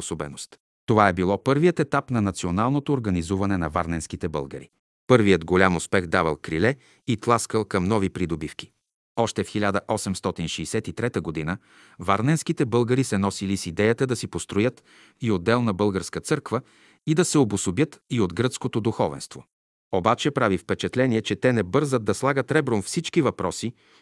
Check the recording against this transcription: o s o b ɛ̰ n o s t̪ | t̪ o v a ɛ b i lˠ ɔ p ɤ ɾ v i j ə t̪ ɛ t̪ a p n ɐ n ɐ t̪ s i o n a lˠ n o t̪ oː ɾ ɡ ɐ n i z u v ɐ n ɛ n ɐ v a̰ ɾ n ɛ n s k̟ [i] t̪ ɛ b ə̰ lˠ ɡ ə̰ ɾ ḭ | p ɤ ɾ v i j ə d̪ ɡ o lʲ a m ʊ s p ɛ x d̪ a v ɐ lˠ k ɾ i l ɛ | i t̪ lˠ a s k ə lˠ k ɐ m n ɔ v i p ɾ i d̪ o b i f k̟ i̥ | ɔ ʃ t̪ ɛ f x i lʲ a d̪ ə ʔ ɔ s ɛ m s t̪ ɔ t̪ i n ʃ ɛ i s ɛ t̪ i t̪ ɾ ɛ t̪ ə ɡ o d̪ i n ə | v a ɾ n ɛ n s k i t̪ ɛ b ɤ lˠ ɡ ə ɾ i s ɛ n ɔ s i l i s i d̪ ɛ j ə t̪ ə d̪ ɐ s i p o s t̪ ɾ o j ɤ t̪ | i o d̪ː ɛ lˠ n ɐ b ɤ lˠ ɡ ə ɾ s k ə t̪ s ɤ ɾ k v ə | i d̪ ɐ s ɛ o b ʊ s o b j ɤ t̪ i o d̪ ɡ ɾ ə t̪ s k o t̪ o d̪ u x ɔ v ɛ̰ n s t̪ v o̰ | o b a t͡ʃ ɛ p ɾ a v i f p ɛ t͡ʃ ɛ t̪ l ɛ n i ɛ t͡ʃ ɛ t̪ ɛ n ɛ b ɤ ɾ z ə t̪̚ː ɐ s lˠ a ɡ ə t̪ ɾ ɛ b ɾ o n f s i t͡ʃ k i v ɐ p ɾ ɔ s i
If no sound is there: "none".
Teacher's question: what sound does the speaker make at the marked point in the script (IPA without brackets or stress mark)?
i